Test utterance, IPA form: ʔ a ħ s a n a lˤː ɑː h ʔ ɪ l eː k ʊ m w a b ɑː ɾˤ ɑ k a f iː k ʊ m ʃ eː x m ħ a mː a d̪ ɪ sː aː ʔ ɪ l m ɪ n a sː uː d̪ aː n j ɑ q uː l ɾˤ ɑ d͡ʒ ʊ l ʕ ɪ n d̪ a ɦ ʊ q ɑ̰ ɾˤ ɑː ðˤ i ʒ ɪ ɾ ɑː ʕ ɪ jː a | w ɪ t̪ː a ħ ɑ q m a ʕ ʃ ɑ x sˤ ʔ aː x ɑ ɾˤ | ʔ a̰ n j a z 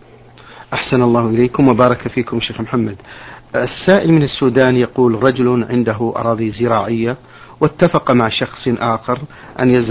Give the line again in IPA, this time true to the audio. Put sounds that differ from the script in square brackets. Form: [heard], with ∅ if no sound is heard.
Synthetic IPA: ʔ a ħ s a n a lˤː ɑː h ʔ ɪ l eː k ʊ m w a b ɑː ɾˤ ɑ k a f iː k ʊ m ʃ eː x m ħ a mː a d̪ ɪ sː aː ʔ ɪ l m ɪ n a sː uː d̪ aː n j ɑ q uː l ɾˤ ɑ d͡ʒ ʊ l ʕ ɪ n d̪ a ɦ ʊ [ʔ] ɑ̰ ɾˤ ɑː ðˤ i [z] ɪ ɾ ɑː ʕ ɪ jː a | w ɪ t̪ː a [f] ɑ q m a ʕ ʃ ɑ x sˤ ʔ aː x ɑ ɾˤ | ʔ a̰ n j a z